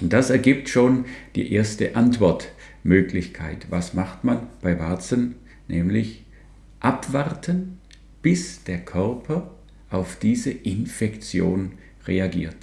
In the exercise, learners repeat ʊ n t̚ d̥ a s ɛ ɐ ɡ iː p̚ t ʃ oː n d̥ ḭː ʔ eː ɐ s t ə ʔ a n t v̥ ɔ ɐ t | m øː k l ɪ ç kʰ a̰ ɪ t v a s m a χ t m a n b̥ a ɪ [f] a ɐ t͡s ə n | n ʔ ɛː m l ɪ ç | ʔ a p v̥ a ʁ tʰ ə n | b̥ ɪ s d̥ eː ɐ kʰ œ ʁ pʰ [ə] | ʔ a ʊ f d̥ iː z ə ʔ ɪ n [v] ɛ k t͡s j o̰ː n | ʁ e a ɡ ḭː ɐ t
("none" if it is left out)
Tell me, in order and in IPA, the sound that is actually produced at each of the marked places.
v, ɐ, f

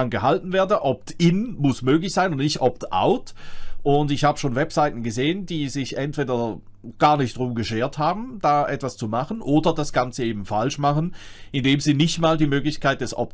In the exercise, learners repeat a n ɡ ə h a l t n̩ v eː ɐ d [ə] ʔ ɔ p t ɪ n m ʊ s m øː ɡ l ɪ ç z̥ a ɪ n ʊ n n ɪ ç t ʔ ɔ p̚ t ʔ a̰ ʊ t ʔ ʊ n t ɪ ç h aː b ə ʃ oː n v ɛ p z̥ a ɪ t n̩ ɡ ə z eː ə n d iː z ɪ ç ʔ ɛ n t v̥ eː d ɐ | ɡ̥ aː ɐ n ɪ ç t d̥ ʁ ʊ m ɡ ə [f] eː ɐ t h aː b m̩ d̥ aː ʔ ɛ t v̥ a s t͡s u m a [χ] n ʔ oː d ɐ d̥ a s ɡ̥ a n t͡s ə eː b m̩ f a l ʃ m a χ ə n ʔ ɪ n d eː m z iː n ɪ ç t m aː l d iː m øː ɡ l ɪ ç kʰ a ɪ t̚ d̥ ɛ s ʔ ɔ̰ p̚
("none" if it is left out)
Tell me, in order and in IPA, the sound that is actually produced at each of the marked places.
ə, ʃ, χ

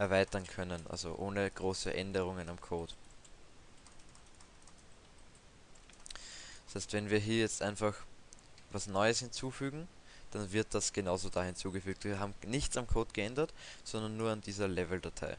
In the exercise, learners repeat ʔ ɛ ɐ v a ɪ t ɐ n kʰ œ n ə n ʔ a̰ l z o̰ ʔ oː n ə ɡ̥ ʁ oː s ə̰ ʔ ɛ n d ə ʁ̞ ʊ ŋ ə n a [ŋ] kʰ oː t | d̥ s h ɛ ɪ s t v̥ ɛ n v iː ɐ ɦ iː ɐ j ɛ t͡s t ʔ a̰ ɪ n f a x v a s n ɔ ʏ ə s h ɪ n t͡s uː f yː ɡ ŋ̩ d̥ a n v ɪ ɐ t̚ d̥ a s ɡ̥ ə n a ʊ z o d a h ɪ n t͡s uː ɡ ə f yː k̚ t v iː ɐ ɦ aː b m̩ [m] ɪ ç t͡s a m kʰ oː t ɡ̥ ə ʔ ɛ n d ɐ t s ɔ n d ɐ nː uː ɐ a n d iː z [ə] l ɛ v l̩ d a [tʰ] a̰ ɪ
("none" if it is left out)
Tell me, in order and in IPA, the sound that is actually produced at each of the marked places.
m, n, ɐ, tʰ

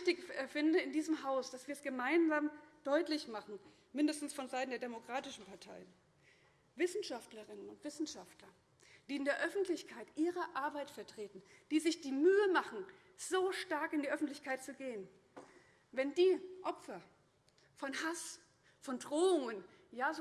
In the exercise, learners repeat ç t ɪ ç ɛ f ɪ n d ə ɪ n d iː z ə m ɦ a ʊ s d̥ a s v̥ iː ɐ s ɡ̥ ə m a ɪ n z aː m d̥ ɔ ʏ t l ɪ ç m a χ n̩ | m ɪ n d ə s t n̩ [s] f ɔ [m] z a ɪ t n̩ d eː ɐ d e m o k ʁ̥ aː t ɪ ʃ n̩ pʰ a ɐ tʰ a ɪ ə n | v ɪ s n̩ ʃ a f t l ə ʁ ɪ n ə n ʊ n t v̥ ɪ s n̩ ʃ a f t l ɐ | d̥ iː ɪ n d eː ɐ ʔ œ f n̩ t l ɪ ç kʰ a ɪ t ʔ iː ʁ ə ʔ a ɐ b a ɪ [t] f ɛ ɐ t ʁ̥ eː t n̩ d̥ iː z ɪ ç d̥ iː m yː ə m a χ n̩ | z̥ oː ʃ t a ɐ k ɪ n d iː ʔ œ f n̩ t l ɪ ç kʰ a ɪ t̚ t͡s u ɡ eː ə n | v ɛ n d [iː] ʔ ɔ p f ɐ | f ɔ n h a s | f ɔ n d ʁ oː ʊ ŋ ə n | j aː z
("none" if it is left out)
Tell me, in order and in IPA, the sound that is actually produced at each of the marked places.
s, n, t, iː

